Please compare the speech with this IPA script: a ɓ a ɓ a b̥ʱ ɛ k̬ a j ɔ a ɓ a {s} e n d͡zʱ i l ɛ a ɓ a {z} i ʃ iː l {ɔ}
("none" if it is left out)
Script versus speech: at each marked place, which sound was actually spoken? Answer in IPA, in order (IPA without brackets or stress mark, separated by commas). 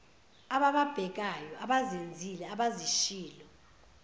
z, z, ɔ